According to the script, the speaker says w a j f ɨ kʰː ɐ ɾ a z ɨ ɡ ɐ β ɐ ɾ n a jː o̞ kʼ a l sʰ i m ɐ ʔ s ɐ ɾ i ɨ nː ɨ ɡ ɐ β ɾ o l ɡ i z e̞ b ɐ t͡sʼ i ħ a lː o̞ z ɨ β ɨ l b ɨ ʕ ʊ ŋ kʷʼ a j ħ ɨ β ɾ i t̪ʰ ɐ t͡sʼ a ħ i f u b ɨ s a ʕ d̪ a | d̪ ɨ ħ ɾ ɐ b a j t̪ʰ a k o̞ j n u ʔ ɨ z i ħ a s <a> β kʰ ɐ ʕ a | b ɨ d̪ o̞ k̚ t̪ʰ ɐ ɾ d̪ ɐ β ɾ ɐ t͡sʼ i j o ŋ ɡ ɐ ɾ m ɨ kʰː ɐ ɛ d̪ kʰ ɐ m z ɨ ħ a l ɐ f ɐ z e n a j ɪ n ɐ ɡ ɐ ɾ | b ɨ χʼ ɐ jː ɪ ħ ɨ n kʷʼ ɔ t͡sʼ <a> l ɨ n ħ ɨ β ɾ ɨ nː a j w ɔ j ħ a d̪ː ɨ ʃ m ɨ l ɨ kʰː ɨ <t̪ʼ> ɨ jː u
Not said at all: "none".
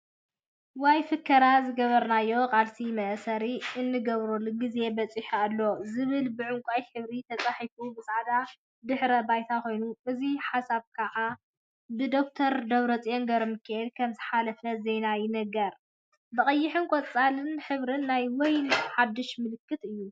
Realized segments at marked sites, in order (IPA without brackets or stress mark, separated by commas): a, a, t̪